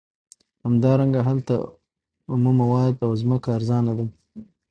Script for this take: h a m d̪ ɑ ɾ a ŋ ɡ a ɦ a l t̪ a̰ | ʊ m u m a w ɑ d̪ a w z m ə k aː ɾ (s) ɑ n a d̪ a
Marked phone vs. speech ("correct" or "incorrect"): incorrect